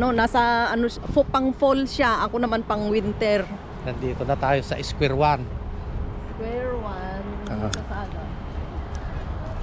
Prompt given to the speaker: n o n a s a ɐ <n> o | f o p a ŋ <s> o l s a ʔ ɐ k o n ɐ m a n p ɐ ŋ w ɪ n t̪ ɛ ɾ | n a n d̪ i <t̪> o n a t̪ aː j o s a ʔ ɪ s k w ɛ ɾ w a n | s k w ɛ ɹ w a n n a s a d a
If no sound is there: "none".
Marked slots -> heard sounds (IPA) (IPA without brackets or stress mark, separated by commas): n, f, t̪